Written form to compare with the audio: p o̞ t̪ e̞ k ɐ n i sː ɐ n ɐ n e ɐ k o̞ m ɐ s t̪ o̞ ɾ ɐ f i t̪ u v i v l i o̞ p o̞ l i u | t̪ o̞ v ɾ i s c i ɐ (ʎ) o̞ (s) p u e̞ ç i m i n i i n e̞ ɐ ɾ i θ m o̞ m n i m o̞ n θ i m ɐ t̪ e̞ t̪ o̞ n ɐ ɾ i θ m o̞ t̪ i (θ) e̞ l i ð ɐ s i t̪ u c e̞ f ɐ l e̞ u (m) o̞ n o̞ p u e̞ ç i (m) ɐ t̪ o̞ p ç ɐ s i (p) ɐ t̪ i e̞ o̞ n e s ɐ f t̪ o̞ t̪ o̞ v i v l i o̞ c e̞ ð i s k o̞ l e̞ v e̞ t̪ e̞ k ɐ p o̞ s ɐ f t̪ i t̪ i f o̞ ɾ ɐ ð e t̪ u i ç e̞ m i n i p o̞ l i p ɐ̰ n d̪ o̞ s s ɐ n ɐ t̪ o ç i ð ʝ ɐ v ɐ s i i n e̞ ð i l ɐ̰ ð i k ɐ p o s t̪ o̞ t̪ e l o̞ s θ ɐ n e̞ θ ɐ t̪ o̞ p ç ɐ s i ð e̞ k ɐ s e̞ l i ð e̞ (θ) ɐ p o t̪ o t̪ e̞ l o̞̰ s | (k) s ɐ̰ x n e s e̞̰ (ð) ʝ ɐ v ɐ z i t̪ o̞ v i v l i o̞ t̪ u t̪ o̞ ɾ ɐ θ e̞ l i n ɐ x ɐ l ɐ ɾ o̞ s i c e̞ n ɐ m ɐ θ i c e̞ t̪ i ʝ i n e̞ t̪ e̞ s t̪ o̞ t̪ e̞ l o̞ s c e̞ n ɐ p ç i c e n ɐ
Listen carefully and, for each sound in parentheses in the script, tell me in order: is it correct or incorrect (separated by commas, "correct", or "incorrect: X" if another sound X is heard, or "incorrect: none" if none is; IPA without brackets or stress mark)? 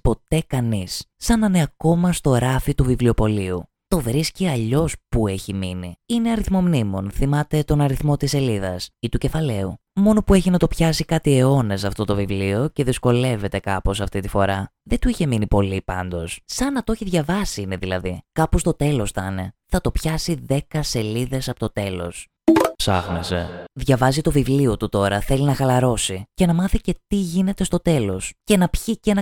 correct, correct, incorrect: s, correct, incorrect: n, incorrect: k, incorrect: s, incorrect: p, correct